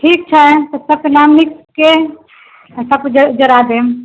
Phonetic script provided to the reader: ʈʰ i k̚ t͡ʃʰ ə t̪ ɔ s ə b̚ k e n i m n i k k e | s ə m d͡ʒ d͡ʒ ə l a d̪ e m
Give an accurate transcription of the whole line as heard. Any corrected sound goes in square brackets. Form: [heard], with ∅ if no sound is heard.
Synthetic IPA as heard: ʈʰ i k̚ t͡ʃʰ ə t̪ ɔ s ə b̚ k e n [a] m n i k k e | s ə [b] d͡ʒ d͡ʒ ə [ɾ] a d̪ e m